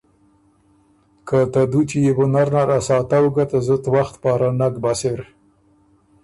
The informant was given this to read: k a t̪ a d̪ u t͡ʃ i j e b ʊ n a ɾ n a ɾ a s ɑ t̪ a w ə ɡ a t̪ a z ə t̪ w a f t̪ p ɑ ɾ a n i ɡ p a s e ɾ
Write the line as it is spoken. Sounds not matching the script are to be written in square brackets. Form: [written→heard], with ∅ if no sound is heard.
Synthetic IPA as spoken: k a t̪ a d̪ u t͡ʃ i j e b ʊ n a ɾ n a ɾ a s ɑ t̪ a w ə ɡ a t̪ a z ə t̪ w a [f→x] t̪ p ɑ ɾ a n [i→a] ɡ [p→b] a s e ɾ